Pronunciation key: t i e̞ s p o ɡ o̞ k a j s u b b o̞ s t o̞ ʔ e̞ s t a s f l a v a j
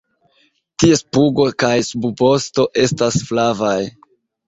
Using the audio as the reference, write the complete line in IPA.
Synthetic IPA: t i e̞ s p u ɡ o̞ k a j s u b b o̞ s t o̞ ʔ e̞ s t a s f l a v a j